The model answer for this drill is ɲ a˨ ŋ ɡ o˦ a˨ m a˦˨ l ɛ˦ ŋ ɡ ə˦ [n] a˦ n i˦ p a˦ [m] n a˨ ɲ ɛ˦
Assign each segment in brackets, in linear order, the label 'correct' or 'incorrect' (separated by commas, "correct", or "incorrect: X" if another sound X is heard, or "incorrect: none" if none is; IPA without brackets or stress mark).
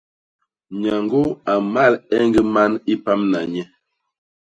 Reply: incorrect: m, correct